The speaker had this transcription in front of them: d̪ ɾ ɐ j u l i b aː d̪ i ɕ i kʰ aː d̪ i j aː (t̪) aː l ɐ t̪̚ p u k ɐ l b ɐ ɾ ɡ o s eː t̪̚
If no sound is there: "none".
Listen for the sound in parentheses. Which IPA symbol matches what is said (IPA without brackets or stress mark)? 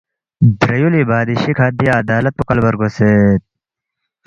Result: d̪